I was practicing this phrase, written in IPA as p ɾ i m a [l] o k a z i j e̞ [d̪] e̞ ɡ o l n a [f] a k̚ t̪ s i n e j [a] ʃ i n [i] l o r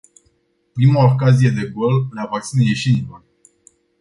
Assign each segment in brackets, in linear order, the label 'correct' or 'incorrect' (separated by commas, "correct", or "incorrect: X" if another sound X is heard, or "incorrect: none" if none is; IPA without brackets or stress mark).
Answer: incorrect: none, correct, incorrect: v, incorrect: e, correct